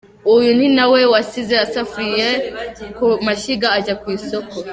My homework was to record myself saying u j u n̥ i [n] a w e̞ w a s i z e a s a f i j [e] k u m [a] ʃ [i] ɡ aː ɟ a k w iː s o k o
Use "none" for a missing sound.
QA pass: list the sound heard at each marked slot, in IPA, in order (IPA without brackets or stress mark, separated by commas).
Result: n, e, a, i